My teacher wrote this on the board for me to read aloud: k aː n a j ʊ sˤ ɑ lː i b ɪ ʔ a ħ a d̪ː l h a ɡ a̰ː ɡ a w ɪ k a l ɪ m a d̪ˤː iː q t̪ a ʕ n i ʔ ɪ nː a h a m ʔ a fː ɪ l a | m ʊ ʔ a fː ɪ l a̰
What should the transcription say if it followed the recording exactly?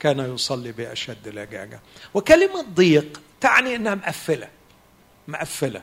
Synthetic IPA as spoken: k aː n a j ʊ sˤ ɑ lː i b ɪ ʔ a ʃ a d̪ː l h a ɡ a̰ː ɡ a w ɪ k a l ɪ m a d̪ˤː iː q t̪ a ʕ n i ʔ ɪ nː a h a m ʔ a fː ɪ l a | m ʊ ʔ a fː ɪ l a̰